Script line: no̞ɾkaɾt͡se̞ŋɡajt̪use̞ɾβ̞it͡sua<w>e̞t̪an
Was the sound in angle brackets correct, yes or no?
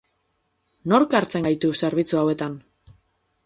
yes